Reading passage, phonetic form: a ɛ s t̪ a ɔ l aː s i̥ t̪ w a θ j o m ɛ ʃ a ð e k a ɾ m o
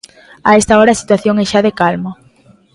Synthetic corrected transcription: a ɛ s t̪ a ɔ ɾ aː s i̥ t̪ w a θ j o ŋ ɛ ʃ a ð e k a l m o